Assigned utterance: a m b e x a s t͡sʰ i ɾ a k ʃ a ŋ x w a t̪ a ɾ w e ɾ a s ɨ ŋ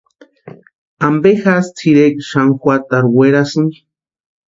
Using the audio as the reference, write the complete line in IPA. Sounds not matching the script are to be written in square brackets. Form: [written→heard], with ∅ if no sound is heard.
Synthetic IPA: a m b e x a s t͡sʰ i ɾ [a→e] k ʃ a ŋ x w a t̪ a ɾ w e ɾ a s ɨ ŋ

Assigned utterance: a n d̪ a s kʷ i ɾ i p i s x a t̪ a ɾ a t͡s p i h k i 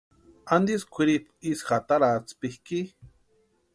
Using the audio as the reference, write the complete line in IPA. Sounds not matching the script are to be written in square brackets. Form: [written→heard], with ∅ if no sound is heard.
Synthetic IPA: a n d̪ [a→i] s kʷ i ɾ i p i s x a t̪ a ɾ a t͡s p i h k i

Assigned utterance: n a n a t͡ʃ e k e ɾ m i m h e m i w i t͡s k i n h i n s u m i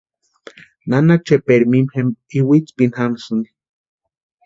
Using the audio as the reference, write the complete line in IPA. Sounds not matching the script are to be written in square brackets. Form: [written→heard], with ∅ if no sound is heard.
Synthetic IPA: n a n a t͡ʃ e [k→p] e ɾ m i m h e m i w i t͡s [k→p] i n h [i→a] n s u [m→n] i

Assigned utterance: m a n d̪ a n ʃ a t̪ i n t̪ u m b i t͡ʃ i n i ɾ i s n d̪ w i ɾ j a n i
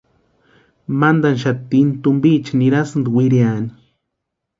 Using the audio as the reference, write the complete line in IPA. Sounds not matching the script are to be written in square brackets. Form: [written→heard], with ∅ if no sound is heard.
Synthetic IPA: m a n d̪ a n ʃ a t̪ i n t̪ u m b i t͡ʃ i n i ɾ [i→a] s n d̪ w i ɾ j a n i

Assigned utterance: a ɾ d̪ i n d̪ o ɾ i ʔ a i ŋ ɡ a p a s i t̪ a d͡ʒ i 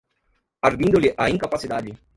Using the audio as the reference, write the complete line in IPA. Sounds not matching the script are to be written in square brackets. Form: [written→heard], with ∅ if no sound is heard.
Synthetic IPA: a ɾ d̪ i n d̪ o [ɾ→l] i ʔ a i ŋ [ɡ→k] a p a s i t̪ a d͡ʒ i

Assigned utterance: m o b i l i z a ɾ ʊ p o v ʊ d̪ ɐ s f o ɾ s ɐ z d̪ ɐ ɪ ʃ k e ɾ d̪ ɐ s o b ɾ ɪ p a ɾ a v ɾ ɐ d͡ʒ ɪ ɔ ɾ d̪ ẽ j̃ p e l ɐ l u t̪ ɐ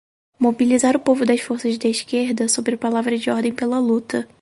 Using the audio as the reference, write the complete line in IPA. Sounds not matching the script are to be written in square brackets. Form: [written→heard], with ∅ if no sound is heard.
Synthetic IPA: m o b i l i z a ɾ ʊ p o v ʊ d̪ ɐ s f o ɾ s ɐ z d̪ ɐ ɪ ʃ k e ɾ d̪ ɐ s o b ɾ ɪ p a [ɾ→l] a v ɾ ɐ d͡ʒ ɪ ɔ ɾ d̪ ẽ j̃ p e l ɐ l u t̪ ɐ

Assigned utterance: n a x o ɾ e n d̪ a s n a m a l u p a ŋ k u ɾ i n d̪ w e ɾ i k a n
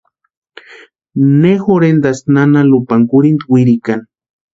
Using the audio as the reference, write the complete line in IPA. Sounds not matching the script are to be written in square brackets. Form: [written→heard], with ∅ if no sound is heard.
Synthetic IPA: n [a→e] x o ɾ e n d̪ a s n a [m→n] a l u p a ŋ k u ɾ i n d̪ w [e→i] ɾ i k a n

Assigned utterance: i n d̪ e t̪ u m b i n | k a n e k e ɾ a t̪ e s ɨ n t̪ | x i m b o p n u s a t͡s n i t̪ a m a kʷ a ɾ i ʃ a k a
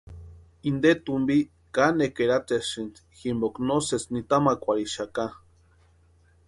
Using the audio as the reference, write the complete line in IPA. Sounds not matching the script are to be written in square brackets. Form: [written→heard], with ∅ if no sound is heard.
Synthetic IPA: i n d̪ e t̪ u m b i [n→∅] | k a n e k e ɾ a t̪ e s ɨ n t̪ | x i m b o [p→k] n [u→o] s [a→e] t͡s n i t̪ a m a kʷ a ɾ i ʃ a k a

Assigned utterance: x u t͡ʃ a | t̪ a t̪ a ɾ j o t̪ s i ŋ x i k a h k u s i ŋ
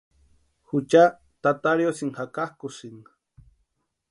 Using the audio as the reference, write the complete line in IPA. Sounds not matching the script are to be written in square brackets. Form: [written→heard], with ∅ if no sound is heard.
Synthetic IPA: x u t͡ʃ a | t̪ a t̪ a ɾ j o [t̪→∅] s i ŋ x [i→a] k a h k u s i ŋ

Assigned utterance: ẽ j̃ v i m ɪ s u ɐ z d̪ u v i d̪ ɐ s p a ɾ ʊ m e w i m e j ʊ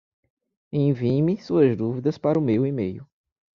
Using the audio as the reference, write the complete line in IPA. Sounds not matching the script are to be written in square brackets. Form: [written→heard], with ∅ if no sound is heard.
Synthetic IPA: ẽ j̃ v i m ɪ s u ɐ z d̪ u v i d̪ ɐ s p a ɾ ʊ m e w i m e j ʊ

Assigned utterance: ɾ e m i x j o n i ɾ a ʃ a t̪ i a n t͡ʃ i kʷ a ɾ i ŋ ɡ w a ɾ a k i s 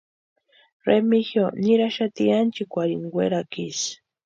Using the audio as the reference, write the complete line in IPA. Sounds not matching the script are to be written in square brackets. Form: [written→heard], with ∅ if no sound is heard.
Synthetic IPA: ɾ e m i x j o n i ɾ a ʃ a t̪ i a n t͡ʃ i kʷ a ɾ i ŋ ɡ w [a→e] ɾ a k i s

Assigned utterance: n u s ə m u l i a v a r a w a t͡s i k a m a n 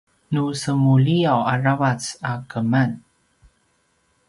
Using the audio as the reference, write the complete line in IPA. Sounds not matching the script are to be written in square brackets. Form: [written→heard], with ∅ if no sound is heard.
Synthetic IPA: n u s ə m u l i a [v→w] a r a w a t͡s [i→a] k [a→ə] m a n

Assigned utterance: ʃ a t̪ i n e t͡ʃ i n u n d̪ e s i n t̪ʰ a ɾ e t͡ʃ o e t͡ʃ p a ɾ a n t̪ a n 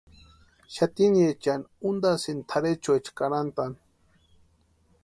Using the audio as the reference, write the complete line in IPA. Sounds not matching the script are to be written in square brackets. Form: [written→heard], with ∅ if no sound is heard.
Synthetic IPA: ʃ a t̪ i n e t͡ʃ [i→a] n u n d̪ [e→a] s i n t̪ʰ a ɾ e t͡ʃ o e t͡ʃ [p→k] a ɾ a n t̪ a n

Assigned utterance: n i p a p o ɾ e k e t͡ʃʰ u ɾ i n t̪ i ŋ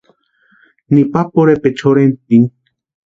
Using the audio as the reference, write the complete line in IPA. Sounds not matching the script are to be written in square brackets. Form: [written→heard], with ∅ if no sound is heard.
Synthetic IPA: n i p a p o ɾ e [k→p] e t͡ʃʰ [u→o] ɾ [i→e] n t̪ i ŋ

